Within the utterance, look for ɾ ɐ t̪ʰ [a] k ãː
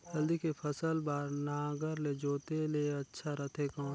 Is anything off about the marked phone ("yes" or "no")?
yes